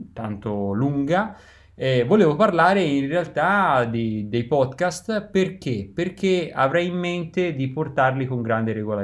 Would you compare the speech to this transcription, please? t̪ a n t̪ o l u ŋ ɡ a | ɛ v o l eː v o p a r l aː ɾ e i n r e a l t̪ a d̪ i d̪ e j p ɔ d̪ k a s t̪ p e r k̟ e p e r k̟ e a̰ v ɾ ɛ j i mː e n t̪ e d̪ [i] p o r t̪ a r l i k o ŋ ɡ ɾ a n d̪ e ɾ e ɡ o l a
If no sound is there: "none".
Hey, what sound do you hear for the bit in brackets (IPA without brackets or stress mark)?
i